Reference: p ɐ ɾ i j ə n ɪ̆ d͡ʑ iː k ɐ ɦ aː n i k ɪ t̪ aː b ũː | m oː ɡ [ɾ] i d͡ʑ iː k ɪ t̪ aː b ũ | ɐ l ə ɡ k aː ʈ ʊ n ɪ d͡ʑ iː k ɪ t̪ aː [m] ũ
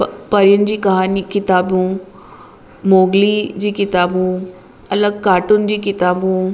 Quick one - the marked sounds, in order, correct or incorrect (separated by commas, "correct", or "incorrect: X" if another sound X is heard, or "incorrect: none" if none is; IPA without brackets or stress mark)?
incorrect: l, incorrect: b